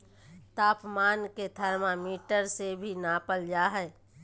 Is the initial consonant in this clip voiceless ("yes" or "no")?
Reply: yes